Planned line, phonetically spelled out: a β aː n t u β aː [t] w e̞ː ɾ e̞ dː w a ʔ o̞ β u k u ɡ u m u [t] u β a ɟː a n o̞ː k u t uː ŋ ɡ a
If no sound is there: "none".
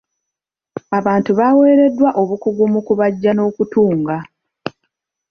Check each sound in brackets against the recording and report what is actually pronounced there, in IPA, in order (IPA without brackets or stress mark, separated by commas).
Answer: none, k